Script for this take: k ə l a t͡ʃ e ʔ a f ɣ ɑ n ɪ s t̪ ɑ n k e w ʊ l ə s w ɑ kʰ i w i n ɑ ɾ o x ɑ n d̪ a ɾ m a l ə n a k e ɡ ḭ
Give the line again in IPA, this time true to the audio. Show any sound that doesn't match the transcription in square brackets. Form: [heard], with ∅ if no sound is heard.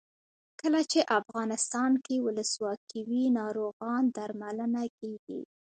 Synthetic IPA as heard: k ə l a t͡ʃ e ʔ a f ɣ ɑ n ɪ s t̪ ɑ n k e w ʊ l ə s w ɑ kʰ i w i n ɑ ɾ o [ɣ] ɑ n d̪ a ɾ m a l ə n a k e ɡ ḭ